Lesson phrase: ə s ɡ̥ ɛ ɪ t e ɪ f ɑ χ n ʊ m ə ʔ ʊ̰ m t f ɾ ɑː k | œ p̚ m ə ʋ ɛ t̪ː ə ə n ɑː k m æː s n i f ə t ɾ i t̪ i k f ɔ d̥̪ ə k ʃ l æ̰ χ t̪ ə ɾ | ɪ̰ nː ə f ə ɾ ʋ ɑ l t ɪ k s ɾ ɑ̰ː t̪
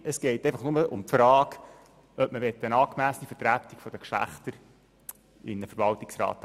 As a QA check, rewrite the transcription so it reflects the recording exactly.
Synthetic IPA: ə s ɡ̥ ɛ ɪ t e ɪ f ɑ χ n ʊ m ə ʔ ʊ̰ m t f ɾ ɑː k | œ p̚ m ə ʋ ɛ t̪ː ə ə n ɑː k m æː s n i f ə t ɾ æ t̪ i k f ɔ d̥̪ ə k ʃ l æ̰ χ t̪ ə ɾ | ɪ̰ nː ə f ə ɾ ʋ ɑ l t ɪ k s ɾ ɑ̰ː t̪